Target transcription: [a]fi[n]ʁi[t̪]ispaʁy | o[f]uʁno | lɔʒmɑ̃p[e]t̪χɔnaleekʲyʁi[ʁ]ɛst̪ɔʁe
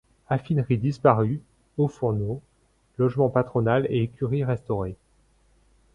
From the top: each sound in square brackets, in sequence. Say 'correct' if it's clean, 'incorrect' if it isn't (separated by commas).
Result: correct, correct, incorrect, correct, incorrect, correct